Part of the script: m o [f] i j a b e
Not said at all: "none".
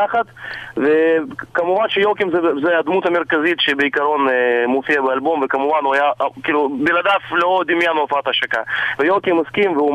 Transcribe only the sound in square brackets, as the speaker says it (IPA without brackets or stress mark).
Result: f